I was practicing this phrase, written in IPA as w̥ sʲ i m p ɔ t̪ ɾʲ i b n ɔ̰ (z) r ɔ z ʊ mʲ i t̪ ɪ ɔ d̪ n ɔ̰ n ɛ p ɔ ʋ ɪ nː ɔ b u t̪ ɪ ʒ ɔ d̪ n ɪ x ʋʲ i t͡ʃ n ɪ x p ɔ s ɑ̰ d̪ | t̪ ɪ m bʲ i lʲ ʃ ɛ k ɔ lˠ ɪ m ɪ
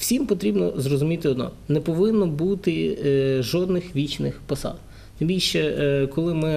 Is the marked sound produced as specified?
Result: yes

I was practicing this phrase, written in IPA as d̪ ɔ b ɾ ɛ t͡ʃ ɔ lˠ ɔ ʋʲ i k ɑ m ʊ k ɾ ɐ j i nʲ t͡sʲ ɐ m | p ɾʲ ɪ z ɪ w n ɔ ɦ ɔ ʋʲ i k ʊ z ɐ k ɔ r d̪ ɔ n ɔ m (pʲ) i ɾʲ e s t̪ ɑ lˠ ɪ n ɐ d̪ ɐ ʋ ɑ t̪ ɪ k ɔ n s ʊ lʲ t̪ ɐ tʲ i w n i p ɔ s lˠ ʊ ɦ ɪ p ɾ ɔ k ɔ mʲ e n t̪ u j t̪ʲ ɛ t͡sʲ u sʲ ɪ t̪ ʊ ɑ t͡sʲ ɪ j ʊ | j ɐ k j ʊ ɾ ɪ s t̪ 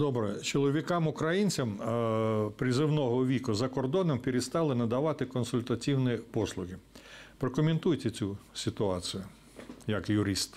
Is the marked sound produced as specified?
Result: yes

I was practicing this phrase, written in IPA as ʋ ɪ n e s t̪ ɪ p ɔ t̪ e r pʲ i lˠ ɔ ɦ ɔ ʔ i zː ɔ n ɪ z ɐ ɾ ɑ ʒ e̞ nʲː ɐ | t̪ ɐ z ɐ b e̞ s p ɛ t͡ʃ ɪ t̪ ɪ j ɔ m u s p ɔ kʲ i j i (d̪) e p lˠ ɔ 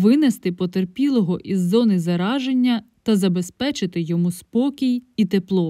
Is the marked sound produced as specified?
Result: no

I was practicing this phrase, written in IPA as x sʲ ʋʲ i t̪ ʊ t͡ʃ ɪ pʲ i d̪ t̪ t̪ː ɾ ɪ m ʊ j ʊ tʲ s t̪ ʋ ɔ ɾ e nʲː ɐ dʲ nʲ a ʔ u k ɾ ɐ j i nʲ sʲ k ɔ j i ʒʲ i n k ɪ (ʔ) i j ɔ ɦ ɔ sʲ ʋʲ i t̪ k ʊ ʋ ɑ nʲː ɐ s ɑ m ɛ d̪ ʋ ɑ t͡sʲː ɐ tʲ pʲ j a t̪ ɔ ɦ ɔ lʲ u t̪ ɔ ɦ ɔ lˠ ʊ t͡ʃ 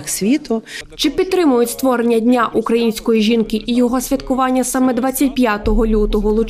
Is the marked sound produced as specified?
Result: yes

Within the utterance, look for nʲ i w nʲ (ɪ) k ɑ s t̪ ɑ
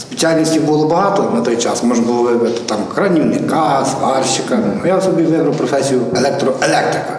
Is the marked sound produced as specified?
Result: yes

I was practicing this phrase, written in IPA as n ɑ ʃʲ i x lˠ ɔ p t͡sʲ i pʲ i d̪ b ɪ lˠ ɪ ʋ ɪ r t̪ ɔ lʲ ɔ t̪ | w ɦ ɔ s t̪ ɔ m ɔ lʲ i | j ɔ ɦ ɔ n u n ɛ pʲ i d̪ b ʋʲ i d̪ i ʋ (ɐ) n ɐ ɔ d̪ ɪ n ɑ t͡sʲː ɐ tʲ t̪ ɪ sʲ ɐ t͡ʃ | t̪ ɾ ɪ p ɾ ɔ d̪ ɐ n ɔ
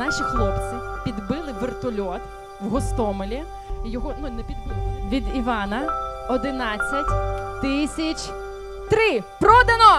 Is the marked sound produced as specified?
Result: no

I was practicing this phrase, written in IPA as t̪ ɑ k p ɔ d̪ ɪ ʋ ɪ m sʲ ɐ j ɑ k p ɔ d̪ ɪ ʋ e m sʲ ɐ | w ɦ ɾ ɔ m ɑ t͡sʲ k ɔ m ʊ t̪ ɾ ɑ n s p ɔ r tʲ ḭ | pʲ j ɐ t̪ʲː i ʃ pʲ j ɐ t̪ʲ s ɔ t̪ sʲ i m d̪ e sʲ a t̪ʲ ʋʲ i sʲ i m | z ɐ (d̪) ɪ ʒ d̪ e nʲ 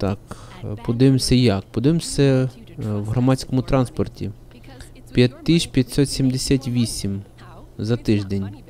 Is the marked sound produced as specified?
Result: no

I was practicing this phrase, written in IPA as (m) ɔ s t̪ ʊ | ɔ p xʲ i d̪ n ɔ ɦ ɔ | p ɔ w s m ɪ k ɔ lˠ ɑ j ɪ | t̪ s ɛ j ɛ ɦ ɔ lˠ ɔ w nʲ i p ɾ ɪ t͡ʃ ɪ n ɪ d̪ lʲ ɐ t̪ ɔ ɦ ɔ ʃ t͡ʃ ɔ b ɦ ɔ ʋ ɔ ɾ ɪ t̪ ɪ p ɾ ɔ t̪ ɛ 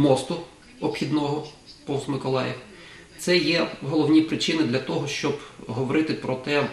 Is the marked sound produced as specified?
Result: yes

